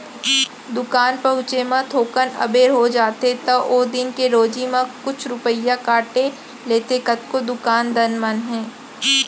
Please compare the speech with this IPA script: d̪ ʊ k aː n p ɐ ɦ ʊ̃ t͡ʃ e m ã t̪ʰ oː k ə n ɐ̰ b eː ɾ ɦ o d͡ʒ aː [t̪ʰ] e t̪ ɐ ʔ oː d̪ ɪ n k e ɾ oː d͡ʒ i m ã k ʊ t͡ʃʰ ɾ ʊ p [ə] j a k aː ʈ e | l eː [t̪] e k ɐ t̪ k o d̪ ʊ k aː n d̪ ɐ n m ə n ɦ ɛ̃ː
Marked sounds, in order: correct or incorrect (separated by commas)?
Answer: incorrect, correct, correct